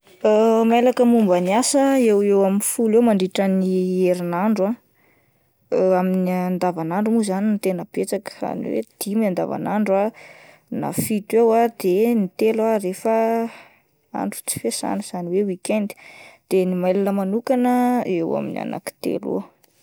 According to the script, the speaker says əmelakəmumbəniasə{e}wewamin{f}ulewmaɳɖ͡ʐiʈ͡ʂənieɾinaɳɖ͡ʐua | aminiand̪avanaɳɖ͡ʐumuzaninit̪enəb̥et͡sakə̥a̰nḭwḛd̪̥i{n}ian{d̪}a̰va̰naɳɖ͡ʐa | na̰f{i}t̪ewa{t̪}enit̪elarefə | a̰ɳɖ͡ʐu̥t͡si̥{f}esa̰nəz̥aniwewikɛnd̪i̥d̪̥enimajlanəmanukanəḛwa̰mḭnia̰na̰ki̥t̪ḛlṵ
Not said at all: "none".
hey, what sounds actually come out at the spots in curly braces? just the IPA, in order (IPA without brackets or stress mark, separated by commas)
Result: e, f, m, d̪, i, d̪, f